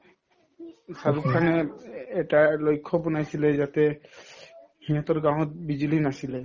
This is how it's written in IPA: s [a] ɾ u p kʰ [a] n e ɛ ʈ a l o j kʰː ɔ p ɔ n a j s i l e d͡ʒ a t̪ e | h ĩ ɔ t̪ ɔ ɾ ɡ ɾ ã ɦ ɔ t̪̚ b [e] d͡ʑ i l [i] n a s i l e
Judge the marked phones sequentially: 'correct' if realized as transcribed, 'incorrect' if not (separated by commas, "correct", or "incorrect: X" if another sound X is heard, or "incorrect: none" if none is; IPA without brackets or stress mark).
correct, correct, incorrect: i, correct